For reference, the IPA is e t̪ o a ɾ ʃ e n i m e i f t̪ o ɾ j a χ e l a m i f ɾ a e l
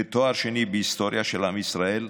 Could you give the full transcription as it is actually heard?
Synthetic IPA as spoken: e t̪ o a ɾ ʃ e n i b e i s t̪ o ɾ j a ʃ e l a m i s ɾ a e l